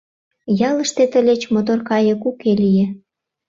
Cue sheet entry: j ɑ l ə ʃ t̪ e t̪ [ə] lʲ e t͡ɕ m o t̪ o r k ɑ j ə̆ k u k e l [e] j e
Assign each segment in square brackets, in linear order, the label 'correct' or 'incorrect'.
correct, incorrect: i

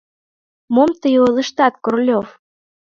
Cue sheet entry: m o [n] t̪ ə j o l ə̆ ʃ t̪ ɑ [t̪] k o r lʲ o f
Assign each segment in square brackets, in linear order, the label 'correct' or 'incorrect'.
incorrect: m, correct

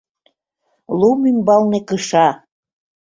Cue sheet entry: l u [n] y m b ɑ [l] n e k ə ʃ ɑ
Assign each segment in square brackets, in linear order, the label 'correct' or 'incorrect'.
incorrect: m, correct

